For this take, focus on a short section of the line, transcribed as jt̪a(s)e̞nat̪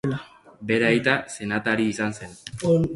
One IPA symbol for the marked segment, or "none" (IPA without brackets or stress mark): s